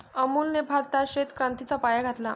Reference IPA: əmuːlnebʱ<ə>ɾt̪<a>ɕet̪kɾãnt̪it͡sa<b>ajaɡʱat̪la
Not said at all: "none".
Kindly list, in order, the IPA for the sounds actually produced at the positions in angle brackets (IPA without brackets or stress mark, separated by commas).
a, a, p